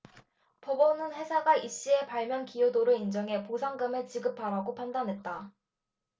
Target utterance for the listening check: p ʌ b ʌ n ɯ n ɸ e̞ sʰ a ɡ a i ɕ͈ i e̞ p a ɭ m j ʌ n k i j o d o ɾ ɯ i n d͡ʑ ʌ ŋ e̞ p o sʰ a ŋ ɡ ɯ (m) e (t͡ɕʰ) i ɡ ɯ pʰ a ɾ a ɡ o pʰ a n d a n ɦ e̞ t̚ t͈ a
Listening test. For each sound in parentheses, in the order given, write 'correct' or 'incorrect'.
correct, incorrect

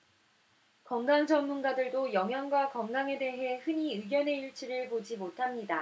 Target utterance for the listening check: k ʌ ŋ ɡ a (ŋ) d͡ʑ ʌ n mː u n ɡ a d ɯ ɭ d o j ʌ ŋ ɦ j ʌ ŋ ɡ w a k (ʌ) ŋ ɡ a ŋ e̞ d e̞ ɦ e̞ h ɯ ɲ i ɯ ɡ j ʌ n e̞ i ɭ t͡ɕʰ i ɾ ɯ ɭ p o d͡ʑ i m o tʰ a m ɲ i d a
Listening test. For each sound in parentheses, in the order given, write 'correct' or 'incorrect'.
correct, correct

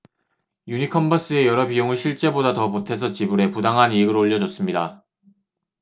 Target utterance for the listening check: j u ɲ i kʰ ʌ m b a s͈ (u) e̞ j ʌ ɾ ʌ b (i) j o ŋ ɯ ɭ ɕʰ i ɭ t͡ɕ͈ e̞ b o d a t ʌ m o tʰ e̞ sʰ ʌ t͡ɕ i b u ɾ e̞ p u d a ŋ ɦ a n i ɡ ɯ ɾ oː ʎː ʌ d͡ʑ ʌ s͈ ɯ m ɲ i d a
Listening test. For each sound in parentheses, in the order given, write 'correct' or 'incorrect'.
incorrect, correct

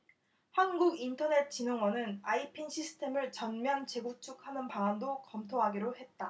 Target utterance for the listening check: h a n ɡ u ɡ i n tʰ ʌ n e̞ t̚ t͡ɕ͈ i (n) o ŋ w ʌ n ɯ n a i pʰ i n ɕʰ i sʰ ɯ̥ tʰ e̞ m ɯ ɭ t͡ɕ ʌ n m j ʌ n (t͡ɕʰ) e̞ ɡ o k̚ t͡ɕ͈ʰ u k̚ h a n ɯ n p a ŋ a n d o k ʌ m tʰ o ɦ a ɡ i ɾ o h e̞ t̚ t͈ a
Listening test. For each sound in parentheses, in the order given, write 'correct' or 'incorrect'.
correct, incorrect

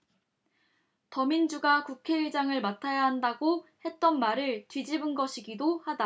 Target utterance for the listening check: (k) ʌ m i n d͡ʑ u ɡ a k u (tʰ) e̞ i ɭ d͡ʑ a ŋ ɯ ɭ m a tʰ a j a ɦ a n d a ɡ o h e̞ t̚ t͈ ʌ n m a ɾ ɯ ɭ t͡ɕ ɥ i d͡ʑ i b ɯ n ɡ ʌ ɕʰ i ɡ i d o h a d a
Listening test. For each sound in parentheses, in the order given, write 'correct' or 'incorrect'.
incorrect, incorrect

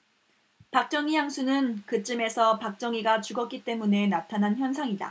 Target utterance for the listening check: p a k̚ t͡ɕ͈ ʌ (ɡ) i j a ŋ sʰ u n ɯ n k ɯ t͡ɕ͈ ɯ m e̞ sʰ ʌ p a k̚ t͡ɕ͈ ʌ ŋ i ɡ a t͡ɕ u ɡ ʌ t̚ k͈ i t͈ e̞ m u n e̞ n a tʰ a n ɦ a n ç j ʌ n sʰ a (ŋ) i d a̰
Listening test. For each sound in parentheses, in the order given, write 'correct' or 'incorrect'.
incorrect, correct

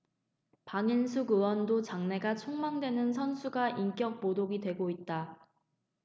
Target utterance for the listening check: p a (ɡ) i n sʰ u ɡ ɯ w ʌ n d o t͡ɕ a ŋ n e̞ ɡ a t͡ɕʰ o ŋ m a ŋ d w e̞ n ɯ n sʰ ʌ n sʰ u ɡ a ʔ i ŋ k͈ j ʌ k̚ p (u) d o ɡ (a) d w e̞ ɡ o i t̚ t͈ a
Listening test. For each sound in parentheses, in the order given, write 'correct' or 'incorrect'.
incorrect, incorrect, incorrect

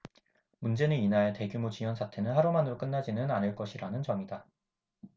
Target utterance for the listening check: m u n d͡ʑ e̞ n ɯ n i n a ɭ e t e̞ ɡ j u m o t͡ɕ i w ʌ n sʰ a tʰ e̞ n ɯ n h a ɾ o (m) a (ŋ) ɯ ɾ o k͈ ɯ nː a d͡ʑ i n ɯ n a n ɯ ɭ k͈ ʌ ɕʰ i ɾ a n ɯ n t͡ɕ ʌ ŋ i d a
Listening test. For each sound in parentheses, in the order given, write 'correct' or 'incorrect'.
correct, incorrect

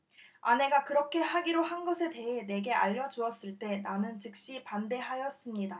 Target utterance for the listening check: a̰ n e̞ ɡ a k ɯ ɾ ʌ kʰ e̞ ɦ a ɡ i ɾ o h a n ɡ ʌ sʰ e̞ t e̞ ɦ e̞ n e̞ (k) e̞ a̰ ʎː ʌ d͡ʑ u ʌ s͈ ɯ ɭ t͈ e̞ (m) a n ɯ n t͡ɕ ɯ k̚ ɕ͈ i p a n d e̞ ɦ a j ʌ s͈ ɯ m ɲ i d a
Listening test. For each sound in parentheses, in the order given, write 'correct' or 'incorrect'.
incorrect, incorrect

